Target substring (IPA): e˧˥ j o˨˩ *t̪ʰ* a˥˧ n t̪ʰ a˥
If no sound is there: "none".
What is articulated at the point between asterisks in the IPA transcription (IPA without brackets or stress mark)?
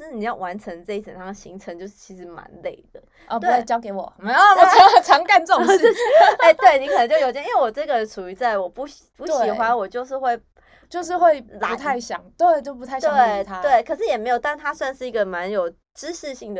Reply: t̪